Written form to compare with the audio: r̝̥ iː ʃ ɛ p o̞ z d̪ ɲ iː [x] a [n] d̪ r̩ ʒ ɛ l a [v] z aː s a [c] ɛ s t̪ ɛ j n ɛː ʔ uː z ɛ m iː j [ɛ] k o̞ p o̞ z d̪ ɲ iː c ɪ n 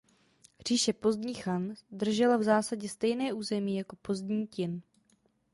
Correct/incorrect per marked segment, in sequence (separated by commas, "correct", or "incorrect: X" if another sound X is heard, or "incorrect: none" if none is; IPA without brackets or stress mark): correct, correct, correct, incorrect: ɟ, incorrect: a